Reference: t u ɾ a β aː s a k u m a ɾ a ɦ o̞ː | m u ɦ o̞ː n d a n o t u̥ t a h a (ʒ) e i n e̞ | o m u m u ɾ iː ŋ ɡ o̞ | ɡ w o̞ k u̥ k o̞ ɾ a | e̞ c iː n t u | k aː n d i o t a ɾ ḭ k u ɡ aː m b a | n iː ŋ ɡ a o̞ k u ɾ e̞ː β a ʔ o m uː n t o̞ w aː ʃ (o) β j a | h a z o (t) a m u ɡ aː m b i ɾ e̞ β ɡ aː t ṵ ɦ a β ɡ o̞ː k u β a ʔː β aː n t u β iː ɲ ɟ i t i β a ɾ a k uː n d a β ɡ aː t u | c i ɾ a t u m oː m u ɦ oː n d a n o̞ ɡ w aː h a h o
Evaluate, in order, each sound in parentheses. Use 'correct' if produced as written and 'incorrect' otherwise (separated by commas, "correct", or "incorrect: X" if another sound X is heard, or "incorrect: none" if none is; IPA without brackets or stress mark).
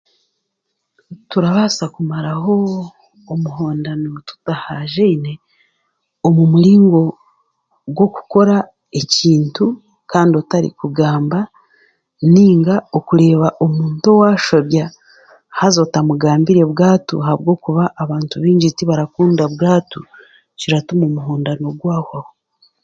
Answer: correct, correct, correct